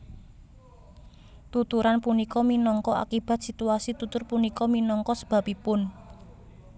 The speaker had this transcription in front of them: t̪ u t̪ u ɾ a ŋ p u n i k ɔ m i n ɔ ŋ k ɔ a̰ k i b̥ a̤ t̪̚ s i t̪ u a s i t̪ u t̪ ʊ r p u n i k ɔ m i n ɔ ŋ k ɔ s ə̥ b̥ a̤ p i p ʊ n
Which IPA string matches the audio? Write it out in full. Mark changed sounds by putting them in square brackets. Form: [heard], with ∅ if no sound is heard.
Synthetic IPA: t̪ u t̪ u ɾ a [n] p u n i k ɔ m i n ɔ ŋ k ɔ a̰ k i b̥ a̤ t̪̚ s i t̪ u a s i t̪ u t̪ ʊ r p u n i k ɔ m i n ɔ ŋ k ɔ s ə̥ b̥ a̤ p i p ʊ n

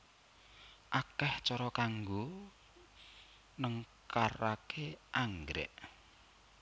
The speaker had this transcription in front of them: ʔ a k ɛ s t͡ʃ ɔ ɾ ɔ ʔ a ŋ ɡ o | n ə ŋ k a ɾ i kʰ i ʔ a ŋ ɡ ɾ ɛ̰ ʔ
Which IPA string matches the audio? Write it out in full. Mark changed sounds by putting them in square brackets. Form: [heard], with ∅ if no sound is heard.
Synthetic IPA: ʔ a k ɛ [h] t͡ʃ ɔ ɾ ɔ [k] a ŋ ɡ o | n ə ŋ k a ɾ [a] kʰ [e] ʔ a ŋ ɡ ɾ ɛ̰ ʔ

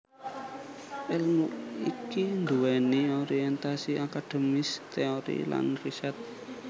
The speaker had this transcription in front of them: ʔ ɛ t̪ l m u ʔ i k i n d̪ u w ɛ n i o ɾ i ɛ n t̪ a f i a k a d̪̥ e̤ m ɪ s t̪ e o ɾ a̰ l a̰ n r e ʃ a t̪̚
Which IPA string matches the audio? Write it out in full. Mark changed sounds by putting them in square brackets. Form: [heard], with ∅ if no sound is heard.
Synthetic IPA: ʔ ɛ [∅] l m u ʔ i k i n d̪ u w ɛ n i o ɾ i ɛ n t̪ a [s] i a k a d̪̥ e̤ m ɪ s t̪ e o ɾ [ḭ] l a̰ n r [i] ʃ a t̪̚

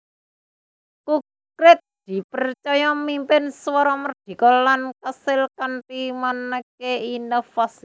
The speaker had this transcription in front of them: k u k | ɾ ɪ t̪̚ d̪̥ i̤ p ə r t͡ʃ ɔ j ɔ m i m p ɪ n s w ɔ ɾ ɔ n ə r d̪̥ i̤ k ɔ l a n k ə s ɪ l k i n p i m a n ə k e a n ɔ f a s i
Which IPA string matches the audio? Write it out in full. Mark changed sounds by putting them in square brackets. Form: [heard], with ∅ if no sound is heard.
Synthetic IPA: k u k | ɾ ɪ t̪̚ d̪̥ i̤ p ə r t͡ʃ ɔ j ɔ m i m p ɪ n s w ɔ ɾ ɔ [m] ə r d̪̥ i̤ k ɔ l a n k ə s ɪ l k [a] n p i m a n ə k e [i] n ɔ f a s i

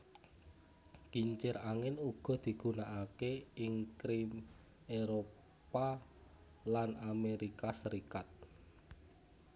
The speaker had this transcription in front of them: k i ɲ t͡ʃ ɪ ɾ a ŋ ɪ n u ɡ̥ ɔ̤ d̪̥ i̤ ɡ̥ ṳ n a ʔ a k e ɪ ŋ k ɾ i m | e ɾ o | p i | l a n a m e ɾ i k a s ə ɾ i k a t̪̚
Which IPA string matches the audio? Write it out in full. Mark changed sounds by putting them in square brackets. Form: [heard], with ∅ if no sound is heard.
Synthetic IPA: k i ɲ t͡ʃ ɪ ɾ a ŋ ɪ n u ɡ̥ ɔ̤ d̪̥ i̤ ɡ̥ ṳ n a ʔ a k e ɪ ŋ k ɾ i m | e ɾ o | p [a] | l a n a m e ɾ i k a s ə ɾ i k a t̪̚

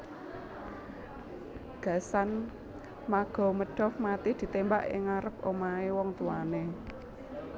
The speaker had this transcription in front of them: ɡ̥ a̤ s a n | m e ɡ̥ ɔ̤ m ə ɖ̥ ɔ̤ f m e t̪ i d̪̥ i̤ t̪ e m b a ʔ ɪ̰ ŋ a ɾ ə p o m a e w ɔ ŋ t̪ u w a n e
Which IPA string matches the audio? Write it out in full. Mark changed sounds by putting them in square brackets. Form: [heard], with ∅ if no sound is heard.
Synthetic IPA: ɡ̥ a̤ s a n | m [a] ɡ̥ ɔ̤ m ə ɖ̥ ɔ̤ f m [a] t̪ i d̪̥ i̤ t̪ e m b a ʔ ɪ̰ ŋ a ɾ ə p o m a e w ɔ ŋ t̪ u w a n e

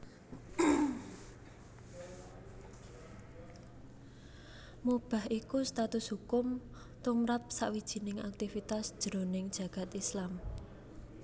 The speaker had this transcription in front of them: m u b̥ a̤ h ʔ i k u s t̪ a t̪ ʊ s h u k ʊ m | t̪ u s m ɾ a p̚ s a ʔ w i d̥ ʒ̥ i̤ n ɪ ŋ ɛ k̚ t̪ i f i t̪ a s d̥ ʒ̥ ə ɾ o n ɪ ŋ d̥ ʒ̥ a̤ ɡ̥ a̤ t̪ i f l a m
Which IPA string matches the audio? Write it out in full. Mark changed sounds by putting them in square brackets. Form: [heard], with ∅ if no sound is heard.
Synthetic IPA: m u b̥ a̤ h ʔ i k u s t̪ a t̪ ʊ s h u k ʊ m | t̪ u [∅] m ɾ a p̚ s a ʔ w i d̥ ʒ̥ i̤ n ɪ ŋ [a] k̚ t̪ i f i t̪ a s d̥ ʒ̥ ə ɾ o n ɪ ŋ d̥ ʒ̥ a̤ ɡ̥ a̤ t̪ i [s] l a m

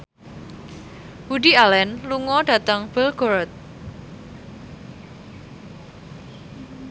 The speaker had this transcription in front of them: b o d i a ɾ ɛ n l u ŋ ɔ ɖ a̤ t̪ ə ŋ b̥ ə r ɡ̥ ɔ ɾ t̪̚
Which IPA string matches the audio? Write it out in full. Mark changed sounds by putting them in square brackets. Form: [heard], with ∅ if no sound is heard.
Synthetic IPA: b [u] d i a [l] ɛ n l u ŋ ɔ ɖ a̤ t̪ ə ŋ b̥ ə [l] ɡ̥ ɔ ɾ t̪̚

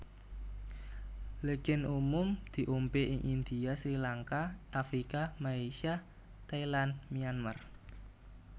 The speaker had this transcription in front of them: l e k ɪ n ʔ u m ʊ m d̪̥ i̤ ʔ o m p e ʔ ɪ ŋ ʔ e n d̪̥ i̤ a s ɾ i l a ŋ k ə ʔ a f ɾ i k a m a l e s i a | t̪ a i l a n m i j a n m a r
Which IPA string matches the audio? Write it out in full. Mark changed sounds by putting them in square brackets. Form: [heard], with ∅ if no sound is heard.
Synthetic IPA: l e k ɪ n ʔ u m ʊ m d̪̥ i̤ ʔ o m p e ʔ ɪ ŋ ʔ [i] n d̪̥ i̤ a s ɾ i l a ŋ k [a] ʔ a f ɾ i k a m a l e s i a | t̪ a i l a n m i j a n m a r

